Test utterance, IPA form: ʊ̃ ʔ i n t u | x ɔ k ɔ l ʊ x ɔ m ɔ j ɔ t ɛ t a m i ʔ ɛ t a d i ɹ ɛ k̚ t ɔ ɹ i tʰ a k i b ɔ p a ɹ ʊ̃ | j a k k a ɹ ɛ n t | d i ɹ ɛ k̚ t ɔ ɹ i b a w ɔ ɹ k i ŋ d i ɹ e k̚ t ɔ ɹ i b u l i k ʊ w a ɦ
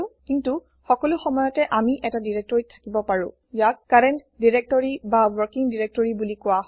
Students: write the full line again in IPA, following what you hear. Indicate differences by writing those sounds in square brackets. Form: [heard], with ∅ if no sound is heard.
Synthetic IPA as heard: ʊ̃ [k] i n t u | x ɔ k ɔ l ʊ x ɔ m ɔ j ɔ t ɛ [ʔ] a m i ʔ ɛ t a d i ɹ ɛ k̚ t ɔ ɹ i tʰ a k i b ɔ p a ɹ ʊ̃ | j a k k a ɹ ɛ n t | d i ɹ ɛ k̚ t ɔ ɹ i b a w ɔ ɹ k i ŋ d i ɹ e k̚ t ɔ ɹ i b u l i k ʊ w a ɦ